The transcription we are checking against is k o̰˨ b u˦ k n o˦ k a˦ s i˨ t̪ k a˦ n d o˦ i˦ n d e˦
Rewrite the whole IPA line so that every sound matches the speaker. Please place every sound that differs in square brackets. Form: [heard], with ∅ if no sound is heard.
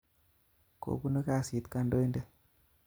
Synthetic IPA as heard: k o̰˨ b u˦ [∅] n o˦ k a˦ s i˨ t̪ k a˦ n d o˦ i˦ n d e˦